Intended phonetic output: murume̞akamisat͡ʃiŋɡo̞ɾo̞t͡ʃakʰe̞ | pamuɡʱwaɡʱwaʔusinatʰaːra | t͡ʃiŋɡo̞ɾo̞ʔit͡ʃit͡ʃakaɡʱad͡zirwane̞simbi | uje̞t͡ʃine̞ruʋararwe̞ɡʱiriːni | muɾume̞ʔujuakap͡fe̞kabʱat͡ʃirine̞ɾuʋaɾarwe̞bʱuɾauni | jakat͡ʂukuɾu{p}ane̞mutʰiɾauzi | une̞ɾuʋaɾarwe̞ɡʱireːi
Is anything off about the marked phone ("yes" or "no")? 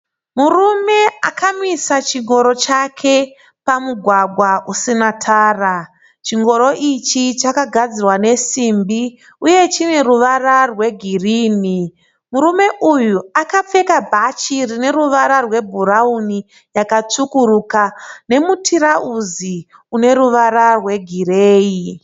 yes